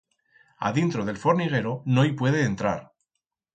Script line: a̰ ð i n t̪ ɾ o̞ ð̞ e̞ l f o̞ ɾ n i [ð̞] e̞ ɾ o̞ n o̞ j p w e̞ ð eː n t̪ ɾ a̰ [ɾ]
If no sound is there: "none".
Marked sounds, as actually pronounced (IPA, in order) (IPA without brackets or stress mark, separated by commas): ɣ̞, ɾ